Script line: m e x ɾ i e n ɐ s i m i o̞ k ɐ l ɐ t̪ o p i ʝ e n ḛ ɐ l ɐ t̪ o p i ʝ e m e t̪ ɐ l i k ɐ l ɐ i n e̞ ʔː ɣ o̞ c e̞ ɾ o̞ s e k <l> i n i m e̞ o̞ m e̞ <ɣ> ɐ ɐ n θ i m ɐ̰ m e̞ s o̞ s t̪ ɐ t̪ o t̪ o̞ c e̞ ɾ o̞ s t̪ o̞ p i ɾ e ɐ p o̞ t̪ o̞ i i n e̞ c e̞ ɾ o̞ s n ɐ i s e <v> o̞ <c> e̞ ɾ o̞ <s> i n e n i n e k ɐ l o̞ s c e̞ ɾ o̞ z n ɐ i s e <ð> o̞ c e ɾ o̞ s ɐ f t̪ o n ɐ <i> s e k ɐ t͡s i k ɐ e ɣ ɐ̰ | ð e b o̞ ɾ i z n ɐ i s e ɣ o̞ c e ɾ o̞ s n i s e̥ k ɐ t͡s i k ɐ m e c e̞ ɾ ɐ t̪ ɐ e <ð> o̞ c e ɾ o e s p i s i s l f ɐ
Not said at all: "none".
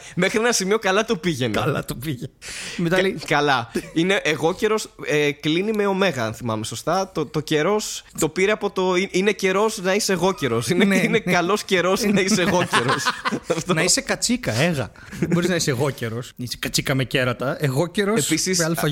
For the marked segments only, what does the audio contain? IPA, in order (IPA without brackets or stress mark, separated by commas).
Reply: l, ɣ, ɣ, c, s, ɣ, i, ɣ